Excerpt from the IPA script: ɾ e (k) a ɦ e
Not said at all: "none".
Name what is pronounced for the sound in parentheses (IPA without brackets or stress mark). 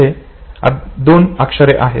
ʔ